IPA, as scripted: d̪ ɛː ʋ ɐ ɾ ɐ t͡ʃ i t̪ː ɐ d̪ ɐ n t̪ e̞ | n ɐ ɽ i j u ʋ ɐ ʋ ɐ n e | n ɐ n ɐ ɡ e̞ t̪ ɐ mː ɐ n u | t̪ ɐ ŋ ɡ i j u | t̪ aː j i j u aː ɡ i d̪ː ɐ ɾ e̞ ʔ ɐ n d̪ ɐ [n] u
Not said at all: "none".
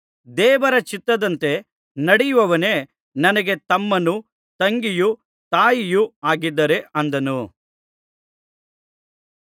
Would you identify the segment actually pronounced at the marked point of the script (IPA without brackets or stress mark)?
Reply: n